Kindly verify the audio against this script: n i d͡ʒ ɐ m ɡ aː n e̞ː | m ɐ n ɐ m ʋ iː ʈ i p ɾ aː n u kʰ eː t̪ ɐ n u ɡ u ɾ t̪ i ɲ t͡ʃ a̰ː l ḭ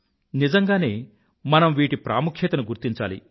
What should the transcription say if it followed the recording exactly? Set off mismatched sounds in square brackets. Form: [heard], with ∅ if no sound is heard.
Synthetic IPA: n i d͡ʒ ɐ [ŋ] ɡ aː n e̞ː | m ɐ n ɐ m ʋ iː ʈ i p ɾ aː [m] u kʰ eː t̪ ɐ n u ɡ u ɾ t̪ i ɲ t͡ʃ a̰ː l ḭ